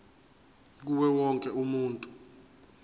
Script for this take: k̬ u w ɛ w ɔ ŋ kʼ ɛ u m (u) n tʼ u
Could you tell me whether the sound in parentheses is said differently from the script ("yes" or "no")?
yes